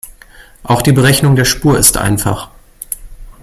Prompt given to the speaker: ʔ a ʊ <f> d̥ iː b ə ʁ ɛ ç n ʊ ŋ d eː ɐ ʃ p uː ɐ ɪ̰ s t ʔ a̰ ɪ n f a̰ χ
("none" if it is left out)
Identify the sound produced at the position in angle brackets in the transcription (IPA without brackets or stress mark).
x